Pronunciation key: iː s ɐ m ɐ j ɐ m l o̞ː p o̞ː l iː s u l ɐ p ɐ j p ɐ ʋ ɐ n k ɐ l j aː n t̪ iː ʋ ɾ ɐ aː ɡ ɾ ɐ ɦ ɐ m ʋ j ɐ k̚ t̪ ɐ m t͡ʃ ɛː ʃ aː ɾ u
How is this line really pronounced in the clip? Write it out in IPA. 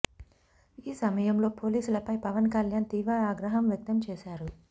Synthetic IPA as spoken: iː s ɐ m ɐ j ɐ m l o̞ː p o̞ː l iː s u l ɐ p ɐ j p ɐ ʋ ɐ n k ɐ l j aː n t̪ iː ʋ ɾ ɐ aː ɡ ɾ ɐ ɦ ɐ m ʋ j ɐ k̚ t̪ ɐ m t͡ʃ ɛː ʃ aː ɾ u

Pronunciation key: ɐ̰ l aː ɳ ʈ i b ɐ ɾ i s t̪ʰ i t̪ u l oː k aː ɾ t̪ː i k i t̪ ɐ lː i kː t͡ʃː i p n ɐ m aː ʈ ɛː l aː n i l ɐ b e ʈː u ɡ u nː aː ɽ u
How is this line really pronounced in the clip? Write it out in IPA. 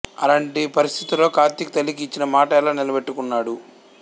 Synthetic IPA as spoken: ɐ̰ l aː ɳ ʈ i p ɐ ɾ i s t̪ʰ i t̪ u l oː k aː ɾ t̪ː i k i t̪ ɐ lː i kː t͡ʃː i n ɐ m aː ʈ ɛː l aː n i l ɐ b e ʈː u k u nː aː ɽ u

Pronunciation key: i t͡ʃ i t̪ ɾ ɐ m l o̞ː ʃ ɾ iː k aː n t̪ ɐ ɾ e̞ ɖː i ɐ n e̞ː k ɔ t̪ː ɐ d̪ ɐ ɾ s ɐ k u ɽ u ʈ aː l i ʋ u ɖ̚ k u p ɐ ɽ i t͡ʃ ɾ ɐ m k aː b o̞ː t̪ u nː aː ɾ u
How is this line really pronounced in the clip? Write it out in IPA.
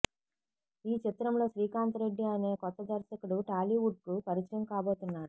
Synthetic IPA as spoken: iː t͡ʃ i t̪ ɾ ɐ m l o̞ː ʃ ɾ iː k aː n t̪ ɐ ɾ e̞ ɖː i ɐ n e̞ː k ɔ t̪ː ɐ d̪ ɐ ɾ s ɐ k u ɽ u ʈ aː l i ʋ u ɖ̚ k u p ɐ ɾ i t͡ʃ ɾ ɐ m k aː b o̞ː t̪ u nː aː ɾ u

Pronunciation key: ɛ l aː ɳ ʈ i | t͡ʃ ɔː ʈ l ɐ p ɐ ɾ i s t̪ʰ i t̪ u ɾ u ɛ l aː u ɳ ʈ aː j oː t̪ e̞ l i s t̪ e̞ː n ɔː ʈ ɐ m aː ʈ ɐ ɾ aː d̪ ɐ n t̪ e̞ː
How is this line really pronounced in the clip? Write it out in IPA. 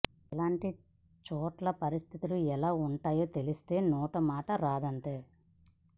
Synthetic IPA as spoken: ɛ l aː ɳ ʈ i | t͡ʃ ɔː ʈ l ɐ p ɐ ɾ i s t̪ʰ i t̪ u l u ɛ l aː u ɳ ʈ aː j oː t̪ e̞ l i s t̪ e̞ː n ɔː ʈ ɐ m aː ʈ ɐ ɾ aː d̪ ɐ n t̪ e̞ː

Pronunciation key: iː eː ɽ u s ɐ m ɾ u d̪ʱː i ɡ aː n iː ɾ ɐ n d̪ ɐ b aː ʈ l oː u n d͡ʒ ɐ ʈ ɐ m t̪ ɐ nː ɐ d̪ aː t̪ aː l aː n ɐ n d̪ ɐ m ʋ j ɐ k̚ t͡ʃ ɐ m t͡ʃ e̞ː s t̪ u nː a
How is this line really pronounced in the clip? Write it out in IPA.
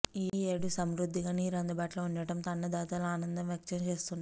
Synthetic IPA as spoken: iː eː ɽ u s ɐ m ɾ u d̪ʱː i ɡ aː n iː ɾ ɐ n d̪ ɐ b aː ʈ l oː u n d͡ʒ ɐ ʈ ɐ m t̪ ɐ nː ɐ d̪ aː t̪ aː l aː n ɐ n d̪ ɐ m ʋ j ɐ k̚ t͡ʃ ɐ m t͡ʃ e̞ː s t̪ u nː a

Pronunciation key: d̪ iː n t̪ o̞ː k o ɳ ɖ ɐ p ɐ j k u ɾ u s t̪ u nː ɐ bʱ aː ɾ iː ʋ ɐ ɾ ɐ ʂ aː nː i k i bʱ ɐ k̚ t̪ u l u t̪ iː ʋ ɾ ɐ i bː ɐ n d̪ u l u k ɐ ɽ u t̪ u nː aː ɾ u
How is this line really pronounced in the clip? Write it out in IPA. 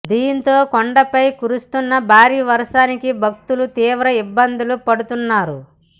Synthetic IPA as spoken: d̪ iː n t̪ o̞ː k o ɳ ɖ ɐ p ɐ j k u ɾ u s t̪ u nː ɐ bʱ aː ɾ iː ʋ ɐ ɾ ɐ ʂ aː n i k i bʱ ɐ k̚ t̪ u l u t̪ iː ʋ ɾ ɐ i bː ɐ n d̪ u l u p ɐ ɽ u t̪ u nː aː ɾ u

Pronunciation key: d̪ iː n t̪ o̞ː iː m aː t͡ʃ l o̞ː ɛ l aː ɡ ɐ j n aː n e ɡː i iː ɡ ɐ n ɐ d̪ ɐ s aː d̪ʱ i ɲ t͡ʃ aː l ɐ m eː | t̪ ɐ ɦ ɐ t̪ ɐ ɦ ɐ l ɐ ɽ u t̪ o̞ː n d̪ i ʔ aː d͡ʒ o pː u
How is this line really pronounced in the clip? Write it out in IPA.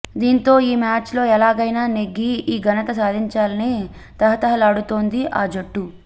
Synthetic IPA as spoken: d̪ iː n t̪ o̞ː iː m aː t͡ʃ l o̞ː ɛ l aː ɡ ɐ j n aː n e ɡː i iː ɡ ɐ n ɐ t̪ ɐ s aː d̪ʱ i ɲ t͡ʃ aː l ɐ n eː | t̪ ɐ ɦ ɐ t̪ ɐ ɦ ɐ l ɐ ɽ u t̪ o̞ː n d̪ i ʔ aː d͡ʒ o ʈː u

